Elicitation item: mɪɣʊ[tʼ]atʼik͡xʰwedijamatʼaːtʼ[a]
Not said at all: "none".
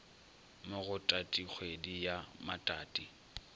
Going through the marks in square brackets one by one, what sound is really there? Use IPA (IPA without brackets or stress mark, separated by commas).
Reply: tʼ, i